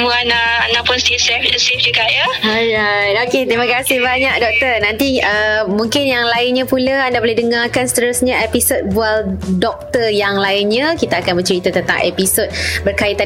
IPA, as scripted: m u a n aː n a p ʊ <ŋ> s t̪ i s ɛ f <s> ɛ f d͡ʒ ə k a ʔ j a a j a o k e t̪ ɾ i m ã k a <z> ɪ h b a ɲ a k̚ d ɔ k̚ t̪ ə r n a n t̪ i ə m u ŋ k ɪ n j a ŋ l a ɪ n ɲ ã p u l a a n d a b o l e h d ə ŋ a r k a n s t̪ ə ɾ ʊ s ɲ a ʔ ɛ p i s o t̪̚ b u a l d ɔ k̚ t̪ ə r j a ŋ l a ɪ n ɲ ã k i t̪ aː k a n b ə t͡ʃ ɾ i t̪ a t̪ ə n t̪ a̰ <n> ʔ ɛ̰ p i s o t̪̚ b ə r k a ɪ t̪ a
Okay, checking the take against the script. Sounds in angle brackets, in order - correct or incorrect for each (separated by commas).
incorrect, correct, incorrect, incorrect